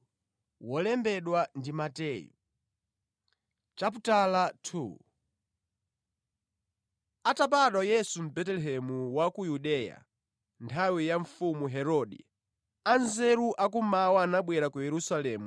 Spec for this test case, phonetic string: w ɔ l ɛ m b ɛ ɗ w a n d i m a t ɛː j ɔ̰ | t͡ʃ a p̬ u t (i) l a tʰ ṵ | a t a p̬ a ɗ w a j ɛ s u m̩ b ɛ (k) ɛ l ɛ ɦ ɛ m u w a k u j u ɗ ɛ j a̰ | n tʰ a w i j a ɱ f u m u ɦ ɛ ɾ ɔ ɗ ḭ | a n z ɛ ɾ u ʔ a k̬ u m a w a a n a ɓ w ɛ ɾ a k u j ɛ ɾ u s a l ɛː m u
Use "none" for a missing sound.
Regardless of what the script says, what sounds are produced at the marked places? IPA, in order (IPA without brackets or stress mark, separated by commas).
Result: a, t